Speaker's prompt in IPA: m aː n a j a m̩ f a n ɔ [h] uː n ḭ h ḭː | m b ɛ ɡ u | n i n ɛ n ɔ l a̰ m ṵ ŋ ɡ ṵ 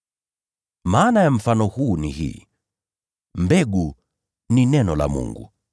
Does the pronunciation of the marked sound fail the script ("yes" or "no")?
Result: no